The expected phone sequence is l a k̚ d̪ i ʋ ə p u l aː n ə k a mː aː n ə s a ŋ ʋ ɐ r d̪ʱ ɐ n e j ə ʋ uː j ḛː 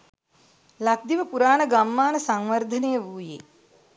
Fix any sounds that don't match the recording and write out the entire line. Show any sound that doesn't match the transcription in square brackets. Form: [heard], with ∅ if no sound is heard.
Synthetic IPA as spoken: l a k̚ d̪ i ʋ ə p u [ɾ] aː n ə [ɡ] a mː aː n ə s a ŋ ʋ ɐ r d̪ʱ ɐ n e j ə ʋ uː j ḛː